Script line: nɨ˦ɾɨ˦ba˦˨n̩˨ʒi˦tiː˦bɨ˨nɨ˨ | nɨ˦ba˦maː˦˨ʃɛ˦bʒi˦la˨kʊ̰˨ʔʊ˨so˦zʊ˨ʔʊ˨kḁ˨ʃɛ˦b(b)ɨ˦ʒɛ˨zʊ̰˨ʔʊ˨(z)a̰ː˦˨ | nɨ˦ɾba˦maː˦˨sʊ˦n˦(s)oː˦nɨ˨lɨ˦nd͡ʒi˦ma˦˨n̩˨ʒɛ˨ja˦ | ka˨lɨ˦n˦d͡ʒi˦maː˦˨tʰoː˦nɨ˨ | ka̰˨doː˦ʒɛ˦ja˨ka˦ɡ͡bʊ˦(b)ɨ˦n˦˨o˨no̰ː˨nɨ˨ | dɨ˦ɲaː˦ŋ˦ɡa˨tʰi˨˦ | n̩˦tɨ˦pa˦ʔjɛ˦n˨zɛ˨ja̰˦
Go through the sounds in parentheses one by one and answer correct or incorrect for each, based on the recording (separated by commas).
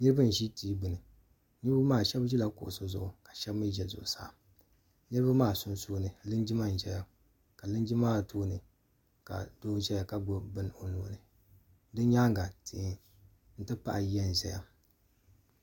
incorrect, incorrect, correct, correct